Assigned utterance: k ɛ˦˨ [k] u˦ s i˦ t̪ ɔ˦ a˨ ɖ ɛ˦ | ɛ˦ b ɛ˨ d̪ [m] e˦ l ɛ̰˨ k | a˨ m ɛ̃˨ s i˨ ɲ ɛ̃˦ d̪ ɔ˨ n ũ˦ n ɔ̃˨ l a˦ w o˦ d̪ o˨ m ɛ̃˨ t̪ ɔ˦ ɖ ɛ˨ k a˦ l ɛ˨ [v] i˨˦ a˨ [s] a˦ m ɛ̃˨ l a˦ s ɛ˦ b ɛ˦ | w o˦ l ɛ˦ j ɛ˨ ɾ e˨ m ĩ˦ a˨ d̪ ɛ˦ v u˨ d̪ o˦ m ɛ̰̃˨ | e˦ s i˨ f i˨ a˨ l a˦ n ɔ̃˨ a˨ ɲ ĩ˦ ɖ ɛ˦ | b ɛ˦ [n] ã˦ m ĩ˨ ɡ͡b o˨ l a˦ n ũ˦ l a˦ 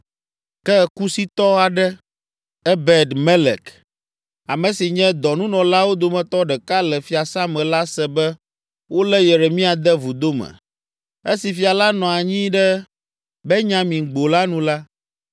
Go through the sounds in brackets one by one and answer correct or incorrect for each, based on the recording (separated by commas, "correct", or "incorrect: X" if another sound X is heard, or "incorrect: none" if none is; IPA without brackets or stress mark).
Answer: correct, correct, incorrect: f, correct, incorrect: ɲ